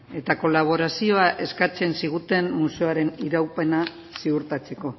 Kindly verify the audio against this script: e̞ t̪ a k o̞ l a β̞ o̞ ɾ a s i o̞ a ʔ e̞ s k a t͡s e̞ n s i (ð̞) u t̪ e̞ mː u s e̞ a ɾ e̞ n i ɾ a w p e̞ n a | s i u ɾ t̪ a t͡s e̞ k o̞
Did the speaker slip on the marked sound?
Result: yes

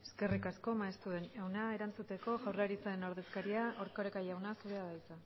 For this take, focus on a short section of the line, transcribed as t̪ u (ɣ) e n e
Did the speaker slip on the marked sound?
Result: yes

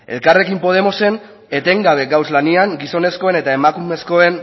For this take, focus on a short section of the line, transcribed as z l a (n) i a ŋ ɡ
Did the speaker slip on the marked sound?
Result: no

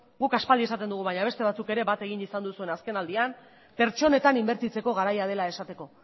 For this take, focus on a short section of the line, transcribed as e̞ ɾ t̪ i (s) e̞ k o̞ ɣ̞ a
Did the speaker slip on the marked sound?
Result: yes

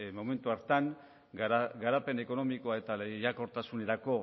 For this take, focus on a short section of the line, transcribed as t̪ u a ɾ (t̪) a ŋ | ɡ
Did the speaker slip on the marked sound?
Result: no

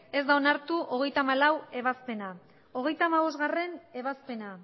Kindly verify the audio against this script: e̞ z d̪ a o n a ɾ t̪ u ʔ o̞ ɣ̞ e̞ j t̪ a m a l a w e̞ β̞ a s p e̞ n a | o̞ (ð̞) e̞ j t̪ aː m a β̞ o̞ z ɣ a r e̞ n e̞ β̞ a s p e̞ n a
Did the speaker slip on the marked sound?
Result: yes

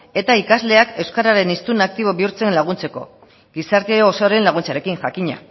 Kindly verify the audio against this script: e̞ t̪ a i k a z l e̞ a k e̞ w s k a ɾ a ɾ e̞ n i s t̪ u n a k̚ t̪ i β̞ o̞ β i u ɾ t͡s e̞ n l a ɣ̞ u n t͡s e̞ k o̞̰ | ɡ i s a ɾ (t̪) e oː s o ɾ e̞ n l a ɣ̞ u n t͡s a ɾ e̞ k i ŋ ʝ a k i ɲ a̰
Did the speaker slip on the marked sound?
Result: no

